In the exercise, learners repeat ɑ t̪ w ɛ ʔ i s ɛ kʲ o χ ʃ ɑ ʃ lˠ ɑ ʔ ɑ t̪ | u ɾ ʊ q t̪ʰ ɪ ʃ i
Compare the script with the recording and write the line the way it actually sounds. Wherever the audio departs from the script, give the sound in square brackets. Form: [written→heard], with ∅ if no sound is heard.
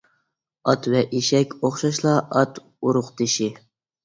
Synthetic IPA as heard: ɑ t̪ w ɛ ʔ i [s→ʃ] ɛ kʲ o χ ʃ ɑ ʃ lˠ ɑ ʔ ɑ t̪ | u ɾ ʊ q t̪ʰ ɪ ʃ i